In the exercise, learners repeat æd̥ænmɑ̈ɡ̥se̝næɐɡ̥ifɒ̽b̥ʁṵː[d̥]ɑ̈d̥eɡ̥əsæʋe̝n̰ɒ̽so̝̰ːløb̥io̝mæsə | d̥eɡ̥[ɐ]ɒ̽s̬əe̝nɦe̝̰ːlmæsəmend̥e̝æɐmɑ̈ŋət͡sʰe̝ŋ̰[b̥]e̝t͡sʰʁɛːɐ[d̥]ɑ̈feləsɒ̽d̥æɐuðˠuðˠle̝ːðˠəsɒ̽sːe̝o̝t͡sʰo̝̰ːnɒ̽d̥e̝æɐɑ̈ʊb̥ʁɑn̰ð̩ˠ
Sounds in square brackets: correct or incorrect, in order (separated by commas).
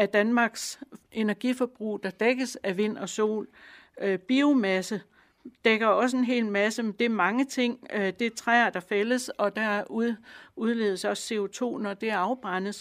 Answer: correct, correct, incorrect, correct